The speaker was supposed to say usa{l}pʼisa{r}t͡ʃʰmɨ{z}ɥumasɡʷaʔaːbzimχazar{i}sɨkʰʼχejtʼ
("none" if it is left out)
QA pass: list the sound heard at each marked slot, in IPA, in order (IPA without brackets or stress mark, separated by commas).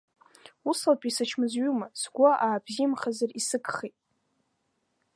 l, none, z, i